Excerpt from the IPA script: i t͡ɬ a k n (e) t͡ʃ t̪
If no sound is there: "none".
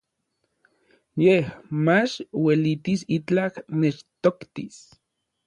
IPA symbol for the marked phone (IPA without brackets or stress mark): e